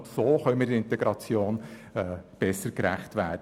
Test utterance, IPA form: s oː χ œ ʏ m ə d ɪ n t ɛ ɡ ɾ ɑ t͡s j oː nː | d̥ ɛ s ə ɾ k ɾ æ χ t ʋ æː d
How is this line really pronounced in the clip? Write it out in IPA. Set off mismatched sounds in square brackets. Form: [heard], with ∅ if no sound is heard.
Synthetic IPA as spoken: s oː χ œ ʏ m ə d ɪ n t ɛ ɡ ɾ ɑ t͡s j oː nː | [b̥] ɛ s ə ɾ k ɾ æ χ t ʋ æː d